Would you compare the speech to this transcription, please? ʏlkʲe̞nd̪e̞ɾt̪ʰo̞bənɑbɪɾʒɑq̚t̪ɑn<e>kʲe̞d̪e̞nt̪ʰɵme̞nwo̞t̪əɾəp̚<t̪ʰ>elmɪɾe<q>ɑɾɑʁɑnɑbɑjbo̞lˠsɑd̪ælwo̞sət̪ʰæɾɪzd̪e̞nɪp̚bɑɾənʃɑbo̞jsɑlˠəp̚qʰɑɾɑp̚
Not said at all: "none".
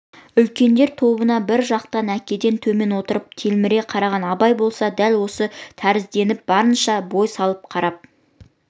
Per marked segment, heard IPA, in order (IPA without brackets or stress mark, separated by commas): æ, t̪ʰ, qʰ